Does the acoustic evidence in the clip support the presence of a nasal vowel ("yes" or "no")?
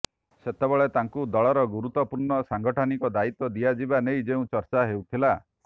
yes